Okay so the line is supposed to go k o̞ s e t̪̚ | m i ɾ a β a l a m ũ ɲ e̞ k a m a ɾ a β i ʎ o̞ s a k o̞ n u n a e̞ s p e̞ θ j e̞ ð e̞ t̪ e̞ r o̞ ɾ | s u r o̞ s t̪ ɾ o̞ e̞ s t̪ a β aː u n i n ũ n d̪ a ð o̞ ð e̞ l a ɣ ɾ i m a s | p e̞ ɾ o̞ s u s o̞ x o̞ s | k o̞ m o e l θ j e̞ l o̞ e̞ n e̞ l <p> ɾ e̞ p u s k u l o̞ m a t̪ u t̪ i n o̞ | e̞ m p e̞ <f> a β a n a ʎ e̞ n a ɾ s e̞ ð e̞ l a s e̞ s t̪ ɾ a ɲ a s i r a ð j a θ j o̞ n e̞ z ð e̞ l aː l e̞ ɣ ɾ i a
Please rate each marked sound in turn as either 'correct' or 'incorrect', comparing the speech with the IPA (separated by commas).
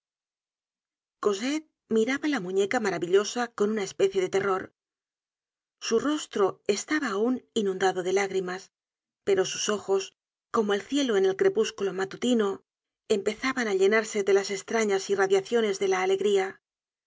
incorrect, incorrect